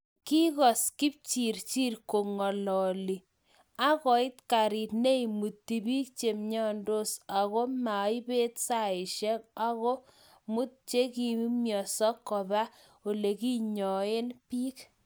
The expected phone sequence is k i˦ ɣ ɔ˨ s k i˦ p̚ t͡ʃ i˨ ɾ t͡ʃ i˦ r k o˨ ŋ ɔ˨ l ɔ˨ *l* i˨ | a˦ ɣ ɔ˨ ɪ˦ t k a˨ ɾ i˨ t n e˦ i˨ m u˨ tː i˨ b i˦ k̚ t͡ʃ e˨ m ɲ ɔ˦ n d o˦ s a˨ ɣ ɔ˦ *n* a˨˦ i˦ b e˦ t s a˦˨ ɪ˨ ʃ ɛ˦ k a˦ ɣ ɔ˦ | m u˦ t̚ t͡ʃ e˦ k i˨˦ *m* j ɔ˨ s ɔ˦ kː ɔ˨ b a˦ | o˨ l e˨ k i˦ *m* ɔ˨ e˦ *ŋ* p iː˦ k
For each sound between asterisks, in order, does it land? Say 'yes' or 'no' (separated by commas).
yes, no, yes, no, no